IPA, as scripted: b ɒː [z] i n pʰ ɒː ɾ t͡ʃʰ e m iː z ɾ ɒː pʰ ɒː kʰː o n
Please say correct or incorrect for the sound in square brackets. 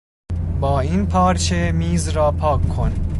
incorrect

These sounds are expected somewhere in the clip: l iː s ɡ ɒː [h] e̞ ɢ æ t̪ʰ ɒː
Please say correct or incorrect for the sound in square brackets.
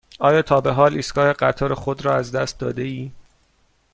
correct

